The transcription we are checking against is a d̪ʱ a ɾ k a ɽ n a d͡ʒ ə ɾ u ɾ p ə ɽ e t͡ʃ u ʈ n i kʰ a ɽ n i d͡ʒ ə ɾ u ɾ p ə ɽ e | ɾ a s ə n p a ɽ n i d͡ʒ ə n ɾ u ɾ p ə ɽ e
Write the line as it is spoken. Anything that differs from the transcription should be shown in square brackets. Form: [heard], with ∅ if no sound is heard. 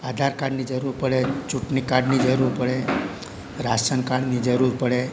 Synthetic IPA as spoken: a d̪ʱ a ɾ k a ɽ n [i] d͡ʒ ə ɾ u ɾ p ə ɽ e t͡ʃ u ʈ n i [k] a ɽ n i d͡ʒ ə ɾ u ɾ p ə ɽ e | ɾ a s ə n [k] a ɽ n i d͡ʒ ə [∅] ɾ u ɾ p ə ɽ e